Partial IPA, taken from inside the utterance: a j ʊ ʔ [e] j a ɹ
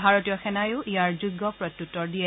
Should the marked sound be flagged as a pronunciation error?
yes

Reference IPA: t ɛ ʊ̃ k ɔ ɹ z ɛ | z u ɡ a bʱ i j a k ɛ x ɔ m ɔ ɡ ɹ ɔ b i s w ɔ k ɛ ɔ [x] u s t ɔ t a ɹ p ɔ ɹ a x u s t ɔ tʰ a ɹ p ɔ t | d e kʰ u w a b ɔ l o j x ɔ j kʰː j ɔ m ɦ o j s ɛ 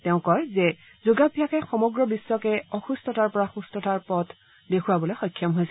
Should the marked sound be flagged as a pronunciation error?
no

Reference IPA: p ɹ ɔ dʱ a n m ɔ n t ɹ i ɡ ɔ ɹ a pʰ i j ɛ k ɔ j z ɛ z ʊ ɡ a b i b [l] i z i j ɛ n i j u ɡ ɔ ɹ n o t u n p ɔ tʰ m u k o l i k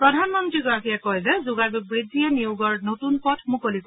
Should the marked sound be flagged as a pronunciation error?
yes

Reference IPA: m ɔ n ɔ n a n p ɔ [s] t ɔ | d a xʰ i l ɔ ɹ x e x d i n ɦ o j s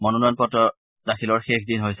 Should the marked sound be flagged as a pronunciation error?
yes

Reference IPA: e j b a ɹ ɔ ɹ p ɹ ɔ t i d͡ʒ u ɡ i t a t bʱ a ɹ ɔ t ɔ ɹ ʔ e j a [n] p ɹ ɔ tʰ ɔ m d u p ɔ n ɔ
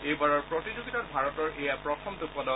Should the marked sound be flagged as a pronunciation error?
yes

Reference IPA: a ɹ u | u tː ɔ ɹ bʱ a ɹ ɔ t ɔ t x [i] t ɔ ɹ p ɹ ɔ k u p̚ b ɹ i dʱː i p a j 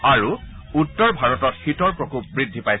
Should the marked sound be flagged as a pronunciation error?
no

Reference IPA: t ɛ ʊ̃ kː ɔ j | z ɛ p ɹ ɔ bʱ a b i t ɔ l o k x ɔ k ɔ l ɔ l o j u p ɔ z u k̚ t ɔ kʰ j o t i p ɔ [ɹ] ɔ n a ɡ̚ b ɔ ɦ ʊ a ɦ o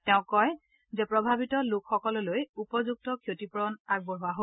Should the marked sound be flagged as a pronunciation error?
no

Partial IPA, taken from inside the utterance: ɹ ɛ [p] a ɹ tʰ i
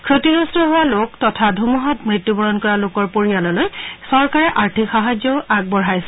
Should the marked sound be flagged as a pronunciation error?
yes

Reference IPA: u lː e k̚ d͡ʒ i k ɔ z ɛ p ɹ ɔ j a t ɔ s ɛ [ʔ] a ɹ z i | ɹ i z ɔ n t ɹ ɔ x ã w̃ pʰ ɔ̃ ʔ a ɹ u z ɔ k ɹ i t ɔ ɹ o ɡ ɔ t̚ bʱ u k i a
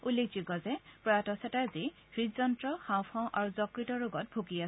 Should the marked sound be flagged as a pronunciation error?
yes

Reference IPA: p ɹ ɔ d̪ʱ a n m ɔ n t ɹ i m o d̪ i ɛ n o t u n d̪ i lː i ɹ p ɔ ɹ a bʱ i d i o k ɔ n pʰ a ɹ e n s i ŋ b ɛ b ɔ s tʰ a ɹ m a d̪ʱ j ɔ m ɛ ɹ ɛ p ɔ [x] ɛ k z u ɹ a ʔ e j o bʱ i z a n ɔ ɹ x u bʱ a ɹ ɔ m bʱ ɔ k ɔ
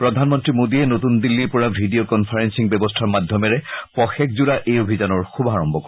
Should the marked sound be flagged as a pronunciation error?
no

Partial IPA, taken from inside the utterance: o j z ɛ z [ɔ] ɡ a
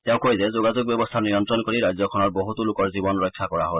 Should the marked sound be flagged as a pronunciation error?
yes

